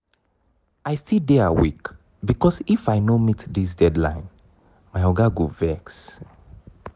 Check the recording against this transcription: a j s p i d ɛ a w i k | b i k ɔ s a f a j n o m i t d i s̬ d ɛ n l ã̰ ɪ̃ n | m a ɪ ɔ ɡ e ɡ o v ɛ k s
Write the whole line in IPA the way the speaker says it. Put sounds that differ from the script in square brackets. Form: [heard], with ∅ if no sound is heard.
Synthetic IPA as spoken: a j s [t] i d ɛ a w i k | b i k ɔ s [i] f a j n o m i t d i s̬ d ɛ [d] l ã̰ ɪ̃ n | m a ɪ ɔ ɡ [a] ɡ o v ɛ k s